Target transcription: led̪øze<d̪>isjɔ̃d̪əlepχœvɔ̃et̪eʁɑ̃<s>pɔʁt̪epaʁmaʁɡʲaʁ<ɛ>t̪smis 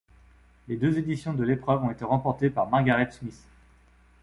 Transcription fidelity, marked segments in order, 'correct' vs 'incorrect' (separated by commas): correct, incorrect, correct